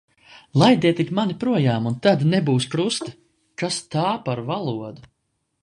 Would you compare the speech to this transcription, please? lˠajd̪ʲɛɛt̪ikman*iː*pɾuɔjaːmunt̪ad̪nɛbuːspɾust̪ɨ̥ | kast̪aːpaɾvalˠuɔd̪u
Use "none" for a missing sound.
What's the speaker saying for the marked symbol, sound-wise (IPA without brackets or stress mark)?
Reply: i